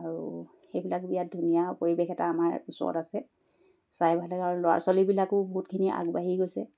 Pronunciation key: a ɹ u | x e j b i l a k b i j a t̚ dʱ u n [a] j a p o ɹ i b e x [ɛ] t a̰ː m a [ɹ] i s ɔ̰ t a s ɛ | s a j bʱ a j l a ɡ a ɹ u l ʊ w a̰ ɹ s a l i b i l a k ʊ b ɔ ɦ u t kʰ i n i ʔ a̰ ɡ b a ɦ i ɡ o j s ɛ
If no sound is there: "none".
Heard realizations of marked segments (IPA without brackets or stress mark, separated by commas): i, ɛ, ɹ